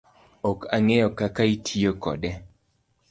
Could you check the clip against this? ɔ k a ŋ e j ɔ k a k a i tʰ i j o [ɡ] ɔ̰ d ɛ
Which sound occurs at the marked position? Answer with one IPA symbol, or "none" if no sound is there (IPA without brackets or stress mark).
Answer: k